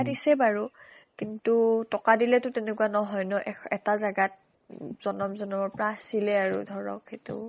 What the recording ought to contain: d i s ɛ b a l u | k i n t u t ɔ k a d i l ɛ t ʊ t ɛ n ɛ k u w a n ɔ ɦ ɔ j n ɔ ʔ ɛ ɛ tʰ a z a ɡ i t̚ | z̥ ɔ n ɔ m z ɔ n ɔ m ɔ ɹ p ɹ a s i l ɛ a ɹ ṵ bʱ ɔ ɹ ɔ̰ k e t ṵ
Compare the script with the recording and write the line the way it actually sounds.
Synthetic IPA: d i s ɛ b a ɹ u | k i n t u t ɔ k a d i l ɛ t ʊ t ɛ n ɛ k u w a n ɔ ɦ ɔ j n ɔ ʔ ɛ ɛ t a z a ɡ a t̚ | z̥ ɔ n ɔ m z ɔ n ɔ m ɔ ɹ p ɹ a s i l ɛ a ɹ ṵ dʱ ɔ ɹ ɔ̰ k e t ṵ